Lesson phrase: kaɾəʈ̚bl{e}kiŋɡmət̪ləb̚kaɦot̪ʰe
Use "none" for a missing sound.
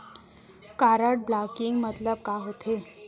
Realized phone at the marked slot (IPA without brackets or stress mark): a